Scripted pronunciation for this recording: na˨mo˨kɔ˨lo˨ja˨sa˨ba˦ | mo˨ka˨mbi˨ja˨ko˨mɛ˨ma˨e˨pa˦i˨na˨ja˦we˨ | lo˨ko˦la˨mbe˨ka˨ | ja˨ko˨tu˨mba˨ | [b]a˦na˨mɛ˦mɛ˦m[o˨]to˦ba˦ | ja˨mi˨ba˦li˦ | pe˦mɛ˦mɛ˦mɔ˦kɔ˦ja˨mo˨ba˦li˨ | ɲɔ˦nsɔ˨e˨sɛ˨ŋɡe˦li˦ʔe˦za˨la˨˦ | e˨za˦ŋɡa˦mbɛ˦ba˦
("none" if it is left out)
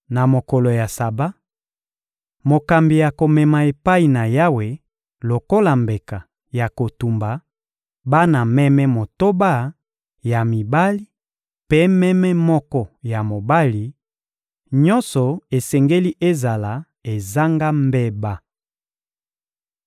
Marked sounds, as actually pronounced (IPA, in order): b, o˨

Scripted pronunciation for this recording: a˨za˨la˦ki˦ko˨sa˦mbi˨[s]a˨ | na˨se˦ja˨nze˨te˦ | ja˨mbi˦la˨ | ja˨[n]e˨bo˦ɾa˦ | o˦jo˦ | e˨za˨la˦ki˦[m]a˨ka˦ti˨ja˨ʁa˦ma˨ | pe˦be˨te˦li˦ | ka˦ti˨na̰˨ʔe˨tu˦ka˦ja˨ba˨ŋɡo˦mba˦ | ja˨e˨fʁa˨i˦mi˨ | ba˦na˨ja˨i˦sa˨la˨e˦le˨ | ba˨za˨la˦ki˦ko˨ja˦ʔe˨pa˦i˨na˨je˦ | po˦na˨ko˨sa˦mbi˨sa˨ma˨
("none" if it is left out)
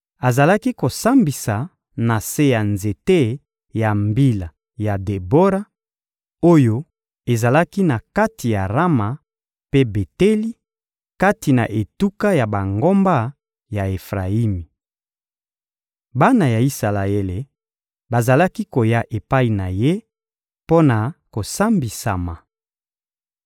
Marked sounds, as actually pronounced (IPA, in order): s, d, n

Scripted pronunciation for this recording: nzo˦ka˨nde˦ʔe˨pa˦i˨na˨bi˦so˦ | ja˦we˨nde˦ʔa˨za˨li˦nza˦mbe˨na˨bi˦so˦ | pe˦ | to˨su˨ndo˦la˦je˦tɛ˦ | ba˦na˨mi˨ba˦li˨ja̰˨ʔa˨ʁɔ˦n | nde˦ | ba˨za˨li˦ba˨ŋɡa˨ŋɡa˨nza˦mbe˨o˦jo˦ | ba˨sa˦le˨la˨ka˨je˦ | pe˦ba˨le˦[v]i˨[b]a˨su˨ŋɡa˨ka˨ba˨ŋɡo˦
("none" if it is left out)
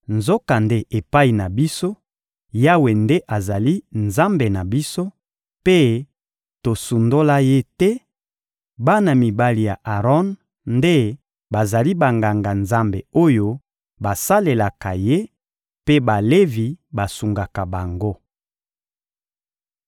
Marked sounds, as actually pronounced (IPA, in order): v, b

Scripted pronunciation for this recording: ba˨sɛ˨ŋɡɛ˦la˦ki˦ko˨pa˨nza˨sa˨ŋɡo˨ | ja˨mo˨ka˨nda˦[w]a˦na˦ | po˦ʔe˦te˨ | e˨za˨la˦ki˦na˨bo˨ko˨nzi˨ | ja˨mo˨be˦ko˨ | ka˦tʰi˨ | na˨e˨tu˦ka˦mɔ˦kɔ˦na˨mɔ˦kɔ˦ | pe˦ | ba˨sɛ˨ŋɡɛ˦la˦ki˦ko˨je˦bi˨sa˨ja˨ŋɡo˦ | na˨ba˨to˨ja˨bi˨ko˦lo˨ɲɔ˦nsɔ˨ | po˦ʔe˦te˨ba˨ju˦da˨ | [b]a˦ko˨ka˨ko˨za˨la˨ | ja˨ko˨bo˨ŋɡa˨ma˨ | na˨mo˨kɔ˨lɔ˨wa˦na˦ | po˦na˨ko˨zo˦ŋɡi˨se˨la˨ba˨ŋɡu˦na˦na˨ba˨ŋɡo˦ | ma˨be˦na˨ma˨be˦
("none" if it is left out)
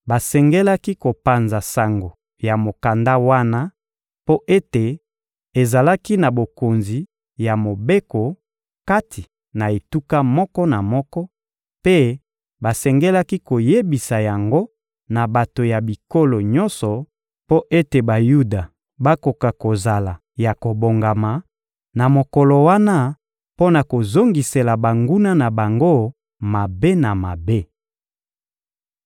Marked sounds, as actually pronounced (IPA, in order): w, b

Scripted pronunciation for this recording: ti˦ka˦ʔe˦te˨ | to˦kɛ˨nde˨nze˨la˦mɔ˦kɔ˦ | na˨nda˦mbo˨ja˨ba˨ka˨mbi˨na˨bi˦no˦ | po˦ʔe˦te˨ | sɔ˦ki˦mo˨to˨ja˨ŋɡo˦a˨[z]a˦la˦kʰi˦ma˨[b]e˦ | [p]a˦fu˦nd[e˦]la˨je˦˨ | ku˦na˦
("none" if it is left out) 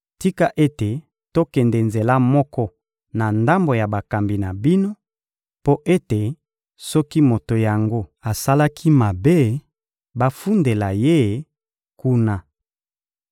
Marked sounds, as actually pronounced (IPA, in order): s, b, b, e˨

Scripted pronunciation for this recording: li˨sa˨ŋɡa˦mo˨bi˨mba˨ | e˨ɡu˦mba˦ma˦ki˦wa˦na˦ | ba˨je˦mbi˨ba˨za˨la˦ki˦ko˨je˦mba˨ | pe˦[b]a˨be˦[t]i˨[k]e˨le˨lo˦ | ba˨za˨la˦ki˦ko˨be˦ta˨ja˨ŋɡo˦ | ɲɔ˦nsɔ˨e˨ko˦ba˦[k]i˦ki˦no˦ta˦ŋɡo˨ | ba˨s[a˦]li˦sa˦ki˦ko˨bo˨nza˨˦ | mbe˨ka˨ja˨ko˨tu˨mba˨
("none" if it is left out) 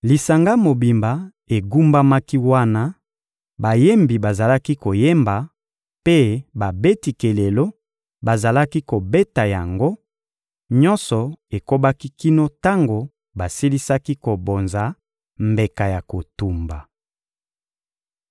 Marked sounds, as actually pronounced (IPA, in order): b, t, k, k, i˦

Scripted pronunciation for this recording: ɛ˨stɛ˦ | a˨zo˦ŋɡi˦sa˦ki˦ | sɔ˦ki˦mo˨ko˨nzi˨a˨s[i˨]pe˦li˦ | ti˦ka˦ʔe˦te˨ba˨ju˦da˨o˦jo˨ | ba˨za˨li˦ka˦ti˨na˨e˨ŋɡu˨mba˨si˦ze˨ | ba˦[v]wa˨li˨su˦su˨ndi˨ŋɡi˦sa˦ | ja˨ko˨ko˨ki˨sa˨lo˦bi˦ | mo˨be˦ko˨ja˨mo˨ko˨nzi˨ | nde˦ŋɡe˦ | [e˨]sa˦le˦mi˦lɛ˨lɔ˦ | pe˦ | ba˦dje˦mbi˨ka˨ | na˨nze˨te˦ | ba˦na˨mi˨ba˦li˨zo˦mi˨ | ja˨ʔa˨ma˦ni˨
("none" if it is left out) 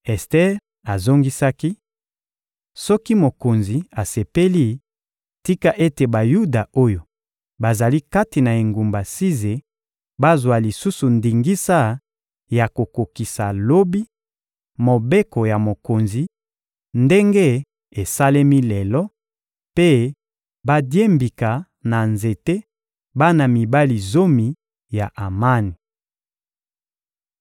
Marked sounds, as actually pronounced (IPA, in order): e˨, z, e˨

